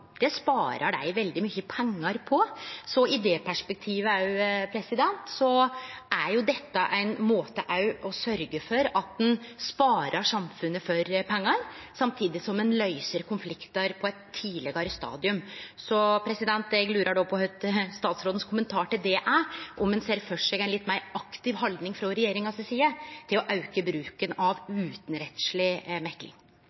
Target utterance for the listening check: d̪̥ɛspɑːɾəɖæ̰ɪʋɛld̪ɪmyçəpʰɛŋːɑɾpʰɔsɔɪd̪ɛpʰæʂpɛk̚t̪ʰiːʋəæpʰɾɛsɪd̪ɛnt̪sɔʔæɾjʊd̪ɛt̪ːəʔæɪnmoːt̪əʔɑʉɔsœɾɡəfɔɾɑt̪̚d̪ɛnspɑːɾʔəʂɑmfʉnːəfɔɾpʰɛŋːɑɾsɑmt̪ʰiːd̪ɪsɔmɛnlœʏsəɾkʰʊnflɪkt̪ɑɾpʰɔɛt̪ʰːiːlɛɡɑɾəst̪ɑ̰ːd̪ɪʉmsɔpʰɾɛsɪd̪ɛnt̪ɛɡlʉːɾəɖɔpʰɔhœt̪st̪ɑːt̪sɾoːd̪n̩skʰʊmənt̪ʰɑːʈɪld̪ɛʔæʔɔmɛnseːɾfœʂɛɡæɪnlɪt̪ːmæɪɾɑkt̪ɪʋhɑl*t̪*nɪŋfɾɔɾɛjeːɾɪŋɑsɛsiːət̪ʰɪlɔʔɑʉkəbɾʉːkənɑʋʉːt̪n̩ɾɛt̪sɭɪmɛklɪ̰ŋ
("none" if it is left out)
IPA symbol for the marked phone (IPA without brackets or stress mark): d̪